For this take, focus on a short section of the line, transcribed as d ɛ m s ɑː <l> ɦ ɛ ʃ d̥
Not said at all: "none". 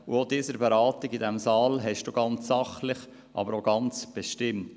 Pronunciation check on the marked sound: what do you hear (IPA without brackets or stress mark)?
l